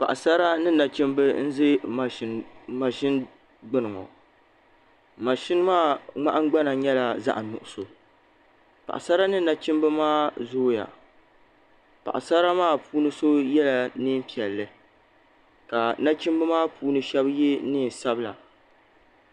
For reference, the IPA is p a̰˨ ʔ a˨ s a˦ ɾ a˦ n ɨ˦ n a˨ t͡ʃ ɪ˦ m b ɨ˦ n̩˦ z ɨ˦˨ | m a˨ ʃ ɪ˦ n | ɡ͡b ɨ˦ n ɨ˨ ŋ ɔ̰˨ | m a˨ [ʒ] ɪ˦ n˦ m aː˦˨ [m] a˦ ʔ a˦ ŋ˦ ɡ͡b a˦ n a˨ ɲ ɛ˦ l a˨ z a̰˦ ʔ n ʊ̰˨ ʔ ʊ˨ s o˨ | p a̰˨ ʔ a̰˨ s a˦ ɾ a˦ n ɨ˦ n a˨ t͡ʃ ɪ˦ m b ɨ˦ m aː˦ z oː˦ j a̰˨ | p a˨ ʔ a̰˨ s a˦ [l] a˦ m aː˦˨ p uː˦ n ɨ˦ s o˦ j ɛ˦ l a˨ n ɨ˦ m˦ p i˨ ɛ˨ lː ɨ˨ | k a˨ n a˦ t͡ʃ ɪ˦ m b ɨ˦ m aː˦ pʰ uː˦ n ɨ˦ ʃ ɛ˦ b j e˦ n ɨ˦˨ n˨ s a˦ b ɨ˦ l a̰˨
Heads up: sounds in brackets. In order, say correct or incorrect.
incorrect: ʃ, incorrect: ŋ͡m, incorrect: ɾ

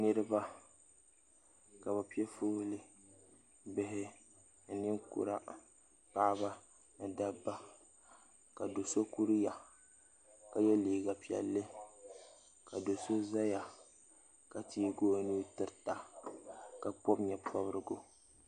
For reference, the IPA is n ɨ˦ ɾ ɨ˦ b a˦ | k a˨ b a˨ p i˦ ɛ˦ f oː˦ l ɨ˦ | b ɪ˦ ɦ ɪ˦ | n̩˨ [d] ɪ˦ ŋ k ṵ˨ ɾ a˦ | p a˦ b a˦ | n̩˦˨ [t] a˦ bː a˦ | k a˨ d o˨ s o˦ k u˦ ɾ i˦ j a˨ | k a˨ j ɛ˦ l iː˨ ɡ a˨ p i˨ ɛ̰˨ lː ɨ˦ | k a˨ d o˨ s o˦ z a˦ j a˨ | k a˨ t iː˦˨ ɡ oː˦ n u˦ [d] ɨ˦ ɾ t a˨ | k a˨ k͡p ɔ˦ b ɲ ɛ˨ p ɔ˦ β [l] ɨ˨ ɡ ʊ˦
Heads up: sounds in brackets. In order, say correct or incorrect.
incorrect: n, incorrect: d, incorrect: t, incorrect: ɾ

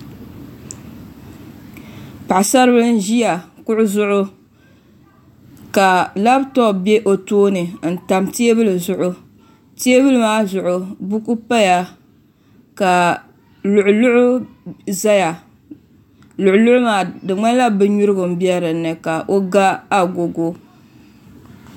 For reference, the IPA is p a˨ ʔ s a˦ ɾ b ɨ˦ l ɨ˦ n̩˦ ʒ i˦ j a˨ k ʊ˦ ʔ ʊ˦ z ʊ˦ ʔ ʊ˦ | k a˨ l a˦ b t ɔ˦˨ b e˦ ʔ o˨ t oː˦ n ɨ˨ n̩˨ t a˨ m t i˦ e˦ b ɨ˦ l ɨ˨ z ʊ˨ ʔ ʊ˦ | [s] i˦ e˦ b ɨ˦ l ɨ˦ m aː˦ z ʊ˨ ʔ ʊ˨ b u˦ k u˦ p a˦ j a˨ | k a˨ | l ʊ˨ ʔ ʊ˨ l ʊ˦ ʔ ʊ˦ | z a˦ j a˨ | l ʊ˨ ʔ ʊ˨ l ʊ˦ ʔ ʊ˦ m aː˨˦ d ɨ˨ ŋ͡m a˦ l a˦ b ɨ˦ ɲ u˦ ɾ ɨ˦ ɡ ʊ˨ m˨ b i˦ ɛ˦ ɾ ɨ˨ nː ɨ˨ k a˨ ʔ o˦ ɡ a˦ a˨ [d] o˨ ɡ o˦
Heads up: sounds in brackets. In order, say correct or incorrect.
incorrect: t, incorrect: ɡ

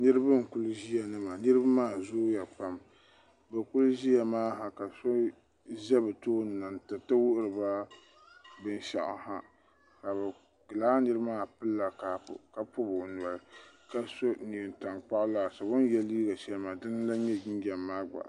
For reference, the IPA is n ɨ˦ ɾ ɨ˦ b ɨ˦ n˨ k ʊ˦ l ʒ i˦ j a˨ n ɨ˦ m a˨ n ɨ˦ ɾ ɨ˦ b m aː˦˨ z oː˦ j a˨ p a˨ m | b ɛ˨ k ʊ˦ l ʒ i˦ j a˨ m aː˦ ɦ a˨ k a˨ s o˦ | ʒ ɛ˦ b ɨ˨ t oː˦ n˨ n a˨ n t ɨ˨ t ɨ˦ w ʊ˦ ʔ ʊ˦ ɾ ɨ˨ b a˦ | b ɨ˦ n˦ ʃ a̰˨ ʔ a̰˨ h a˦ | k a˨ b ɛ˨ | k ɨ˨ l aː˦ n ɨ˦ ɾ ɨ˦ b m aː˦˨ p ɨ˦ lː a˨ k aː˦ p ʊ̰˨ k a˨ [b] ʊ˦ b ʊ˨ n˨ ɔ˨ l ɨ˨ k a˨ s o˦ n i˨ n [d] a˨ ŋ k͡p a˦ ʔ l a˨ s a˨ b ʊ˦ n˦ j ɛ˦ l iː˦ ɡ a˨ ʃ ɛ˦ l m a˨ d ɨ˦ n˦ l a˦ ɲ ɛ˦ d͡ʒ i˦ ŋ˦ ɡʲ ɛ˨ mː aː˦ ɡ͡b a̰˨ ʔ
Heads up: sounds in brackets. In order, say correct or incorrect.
incorrect: p, incorrect: t

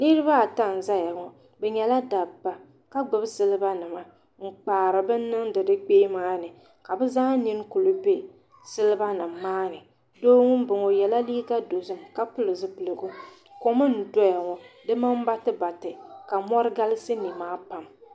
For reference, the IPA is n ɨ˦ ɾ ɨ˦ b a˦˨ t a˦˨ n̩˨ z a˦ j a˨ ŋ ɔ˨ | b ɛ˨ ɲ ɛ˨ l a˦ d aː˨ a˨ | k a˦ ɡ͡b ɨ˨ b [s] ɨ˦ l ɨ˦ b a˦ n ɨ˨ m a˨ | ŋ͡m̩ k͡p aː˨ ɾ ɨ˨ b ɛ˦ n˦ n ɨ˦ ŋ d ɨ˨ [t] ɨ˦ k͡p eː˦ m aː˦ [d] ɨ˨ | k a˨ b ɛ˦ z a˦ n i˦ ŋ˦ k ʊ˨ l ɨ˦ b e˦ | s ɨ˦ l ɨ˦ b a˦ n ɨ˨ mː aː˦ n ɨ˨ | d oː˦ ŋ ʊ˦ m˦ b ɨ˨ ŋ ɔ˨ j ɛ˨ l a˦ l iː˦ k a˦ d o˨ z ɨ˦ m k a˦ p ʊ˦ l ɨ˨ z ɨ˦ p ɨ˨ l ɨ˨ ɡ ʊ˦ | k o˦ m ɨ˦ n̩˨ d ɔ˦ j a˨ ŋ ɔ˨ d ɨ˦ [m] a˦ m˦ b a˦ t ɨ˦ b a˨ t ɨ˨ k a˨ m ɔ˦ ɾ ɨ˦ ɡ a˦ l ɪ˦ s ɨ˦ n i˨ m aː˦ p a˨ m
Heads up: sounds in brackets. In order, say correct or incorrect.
correct, incorrect: d, incorrect: n, correct

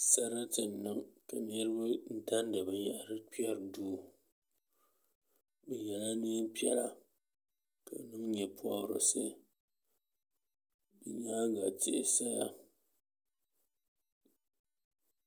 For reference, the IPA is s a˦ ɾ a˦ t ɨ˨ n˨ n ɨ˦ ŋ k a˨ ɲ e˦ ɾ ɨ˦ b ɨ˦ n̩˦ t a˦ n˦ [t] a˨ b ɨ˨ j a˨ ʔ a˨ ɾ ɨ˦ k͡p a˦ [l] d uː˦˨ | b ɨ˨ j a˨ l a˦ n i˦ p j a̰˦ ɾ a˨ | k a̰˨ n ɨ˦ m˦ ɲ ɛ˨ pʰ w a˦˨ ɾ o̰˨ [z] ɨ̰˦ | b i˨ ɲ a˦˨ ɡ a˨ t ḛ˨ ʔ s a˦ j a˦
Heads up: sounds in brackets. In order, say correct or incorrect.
incorrect: d, incorrect: ɾ, incorrect: s

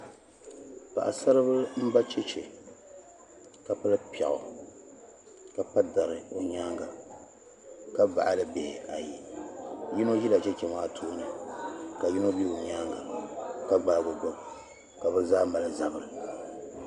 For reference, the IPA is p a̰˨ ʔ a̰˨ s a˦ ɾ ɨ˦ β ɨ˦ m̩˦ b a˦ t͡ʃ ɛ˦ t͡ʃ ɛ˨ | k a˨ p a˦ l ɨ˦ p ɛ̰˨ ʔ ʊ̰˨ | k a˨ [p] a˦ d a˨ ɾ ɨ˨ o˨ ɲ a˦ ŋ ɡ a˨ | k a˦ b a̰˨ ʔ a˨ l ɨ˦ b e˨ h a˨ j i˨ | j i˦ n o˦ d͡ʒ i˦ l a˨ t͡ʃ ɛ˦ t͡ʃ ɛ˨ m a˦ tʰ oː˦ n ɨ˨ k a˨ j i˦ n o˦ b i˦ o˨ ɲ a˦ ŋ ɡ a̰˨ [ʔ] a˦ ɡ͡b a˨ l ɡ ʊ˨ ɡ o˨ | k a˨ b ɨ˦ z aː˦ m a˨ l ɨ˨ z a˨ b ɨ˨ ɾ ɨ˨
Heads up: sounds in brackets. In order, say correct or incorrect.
correct, incorrect: k

